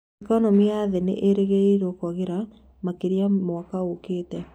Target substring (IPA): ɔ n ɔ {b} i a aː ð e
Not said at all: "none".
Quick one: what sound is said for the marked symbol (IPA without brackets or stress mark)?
m